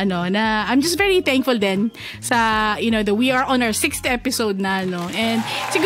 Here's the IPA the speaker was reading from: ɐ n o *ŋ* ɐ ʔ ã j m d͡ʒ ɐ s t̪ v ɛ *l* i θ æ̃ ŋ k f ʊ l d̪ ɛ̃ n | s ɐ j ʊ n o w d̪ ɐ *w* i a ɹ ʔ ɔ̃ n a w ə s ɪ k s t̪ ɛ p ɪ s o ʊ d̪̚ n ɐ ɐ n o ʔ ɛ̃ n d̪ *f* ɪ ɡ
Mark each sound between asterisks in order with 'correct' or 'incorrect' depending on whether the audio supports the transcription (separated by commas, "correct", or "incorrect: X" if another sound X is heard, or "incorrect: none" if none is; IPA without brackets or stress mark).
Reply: incorrect: n, incorrect: ɹ, correct, incorrect: s